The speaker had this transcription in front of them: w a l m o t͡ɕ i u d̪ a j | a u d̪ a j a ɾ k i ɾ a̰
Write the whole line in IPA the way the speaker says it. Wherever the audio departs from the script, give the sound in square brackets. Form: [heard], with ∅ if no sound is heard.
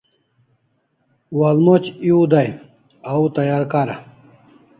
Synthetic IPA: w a l m o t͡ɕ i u d̪ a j | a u [t̪] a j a ɾ k [a] ɾ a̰